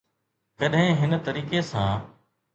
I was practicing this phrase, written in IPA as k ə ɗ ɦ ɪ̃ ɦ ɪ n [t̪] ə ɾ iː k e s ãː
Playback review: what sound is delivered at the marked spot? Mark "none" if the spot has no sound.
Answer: t̪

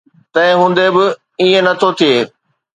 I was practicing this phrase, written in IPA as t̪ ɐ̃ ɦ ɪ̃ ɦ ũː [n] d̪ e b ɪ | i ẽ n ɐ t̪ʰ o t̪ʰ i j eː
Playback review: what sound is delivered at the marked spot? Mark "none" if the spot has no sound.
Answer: n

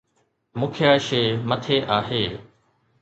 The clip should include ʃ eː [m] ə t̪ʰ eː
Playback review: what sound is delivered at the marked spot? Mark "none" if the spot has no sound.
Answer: m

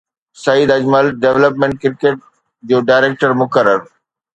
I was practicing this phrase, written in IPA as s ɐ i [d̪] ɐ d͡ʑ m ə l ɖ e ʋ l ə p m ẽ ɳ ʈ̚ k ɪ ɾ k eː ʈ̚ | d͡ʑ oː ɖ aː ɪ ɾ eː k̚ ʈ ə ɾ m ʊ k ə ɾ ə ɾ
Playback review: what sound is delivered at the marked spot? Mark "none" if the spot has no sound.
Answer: d̪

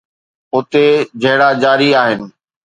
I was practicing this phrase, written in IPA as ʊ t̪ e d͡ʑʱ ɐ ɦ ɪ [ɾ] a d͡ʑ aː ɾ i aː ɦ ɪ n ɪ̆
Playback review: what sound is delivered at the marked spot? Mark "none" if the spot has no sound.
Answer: ɽ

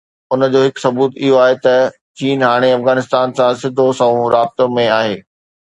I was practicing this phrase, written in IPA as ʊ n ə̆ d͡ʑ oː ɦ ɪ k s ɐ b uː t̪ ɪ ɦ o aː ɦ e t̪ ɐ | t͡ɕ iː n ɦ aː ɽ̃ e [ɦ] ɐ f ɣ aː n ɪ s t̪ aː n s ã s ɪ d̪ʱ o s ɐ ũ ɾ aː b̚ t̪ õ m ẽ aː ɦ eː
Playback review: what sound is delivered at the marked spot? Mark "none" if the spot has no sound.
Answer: none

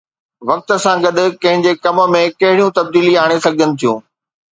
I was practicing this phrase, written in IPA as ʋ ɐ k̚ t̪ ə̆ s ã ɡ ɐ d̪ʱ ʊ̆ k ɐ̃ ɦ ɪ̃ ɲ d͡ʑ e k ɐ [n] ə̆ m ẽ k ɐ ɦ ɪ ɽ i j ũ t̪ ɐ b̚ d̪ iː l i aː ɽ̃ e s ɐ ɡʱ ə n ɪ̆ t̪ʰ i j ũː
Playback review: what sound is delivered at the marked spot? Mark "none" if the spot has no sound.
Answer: m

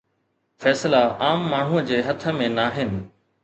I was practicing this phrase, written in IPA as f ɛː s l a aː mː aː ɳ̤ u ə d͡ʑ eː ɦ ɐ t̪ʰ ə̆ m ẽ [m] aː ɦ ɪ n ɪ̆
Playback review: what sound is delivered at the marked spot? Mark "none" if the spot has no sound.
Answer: n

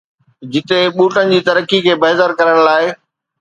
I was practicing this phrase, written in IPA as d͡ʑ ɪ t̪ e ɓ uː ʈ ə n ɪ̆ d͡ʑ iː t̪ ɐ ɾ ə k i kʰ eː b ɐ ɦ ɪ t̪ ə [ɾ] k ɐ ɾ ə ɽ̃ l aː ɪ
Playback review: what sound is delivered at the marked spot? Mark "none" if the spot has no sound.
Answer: ɾ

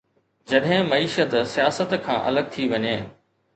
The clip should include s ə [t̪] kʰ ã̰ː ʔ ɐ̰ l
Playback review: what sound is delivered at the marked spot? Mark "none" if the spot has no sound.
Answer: t̪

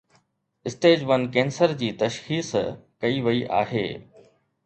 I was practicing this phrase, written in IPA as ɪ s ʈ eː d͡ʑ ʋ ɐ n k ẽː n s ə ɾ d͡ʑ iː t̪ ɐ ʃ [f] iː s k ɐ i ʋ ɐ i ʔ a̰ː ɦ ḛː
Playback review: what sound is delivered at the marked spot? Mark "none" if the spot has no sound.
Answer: x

